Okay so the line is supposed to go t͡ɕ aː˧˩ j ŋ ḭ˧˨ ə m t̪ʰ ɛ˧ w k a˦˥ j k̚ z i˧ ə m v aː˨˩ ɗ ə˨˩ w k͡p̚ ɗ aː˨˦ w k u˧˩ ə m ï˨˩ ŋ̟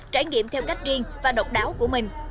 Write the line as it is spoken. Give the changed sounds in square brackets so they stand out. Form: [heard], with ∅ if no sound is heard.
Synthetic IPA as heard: t͡ɕ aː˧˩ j ŋ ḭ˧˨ ə m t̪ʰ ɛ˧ w k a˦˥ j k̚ z i˧ ə [ŋ] v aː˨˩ ɗ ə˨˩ w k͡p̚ ɗ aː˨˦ w k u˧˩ ə m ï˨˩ ŋ̟